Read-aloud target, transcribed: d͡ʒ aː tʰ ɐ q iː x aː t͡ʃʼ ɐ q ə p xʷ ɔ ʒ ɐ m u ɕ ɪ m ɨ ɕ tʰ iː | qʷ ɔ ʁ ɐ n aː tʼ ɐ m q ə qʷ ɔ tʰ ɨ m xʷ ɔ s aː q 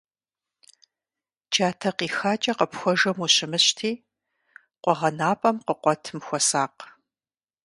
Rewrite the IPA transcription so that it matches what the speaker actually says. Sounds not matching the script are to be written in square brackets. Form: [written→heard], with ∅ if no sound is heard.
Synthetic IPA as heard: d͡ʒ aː tʰ ɐ q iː x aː t͡ʃʼ ɐ q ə p xʷ ɔ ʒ ɐ m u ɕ ɪ m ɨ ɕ tʰ iː | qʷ ɔ ʁ ɐ n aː [tʼ→pʼ] ɐ m q ə qʷ ɔ tʰ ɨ m xʷ ɔ s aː q